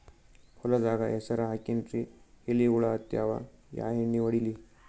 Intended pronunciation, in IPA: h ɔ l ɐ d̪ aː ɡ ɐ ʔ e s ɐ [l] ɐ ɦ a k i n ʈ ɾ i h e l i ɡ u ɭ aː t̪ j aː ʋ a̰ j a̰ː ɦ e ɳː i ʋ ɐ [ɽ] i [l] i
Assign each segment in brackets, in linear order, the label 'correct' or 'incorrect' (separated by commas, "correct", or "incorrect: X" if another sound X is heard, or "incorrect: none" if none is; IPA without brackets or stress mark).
incorrect: ɾ, correct, correct